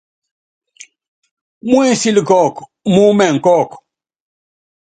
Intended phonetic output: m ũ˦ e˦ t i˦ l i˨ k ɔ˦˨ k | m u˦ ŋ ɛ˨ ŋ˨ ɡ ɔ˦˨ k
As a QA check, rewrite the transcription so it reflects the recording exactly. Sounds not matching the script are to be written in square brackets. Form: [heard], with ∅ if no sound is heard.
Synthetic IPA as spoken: m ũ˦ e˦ [s] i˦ l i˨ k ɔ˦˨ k | m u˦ [m] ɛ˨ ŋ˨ [k] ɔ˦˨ k